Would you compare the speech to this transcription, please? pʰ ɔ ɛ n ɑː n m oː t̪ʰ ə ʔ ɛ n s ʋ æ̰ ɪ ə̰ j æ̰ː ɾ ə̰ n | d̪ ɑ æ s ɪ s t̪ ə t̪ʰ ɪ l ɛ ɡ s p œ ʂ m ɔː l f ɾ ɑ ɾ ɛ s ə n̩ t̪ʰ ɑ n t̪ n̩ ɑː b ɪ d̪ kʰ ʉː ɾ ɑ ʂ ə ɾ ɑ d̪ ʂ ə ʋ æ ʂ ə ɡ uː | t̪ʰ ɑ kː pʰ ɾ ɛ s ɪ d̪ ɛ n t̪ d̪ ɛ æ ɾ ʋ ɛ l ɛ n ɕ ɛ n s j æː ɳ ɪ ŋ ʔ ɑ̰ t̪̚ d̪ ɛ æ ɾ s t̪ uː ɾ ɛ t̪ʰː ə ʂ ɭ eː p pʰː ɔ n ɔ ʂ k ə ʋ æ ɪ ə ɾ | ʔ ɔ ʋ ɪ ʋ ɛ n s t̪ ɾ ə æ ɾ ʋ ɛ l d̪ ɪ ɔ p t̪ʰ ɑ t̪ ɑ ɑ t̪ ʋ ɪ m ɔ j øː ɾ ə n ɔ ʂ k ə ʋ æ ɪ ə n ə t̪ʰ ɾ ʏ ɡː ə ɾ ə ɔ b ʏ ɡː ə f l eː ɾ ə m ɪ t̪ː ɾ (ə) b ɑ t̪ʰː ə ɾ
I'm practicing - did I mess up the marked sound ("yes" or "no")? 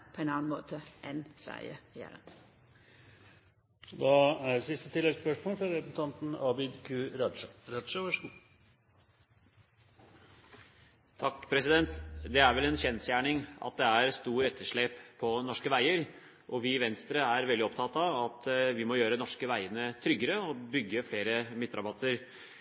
yes